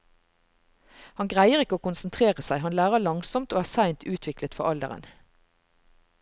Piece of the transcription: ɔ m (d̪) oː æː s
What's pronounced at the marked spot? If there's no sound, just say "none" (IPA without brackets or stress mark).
t̪